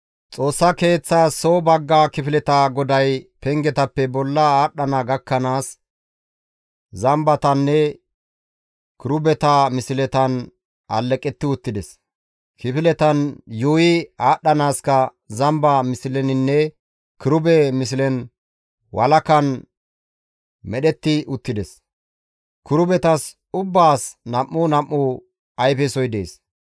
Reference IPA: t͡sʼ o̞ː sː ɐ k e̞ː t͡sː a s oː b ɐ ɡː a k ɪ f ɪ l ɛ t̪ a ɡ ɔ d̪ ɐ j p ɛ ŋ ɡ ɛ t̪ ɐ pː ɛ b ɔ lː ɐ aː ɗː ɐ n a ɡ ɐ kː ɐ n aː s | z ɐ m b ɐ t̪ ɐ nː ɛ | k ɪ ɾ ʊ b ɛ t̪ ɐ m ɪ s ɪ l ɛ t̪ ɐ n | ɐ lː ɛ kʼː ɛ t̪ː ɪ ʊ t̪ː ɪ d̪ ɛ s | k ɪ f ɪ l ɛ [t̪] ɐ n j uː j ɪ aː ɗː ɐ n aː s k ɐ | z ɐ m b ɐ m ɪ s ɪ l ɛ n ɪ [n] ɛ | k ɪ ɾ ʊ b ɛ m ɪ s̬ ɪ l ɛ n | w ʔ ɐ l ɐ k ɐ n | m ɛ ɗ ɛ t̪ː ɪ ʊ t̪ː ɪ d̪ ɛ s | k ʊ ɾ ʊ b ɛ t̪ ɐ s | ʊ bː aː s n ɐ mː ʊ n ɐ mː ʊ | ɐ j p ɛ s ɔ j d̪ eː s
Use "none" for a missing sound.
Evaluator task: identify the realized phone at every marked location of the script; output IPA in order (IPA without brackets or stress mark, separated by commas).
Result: t̪, nː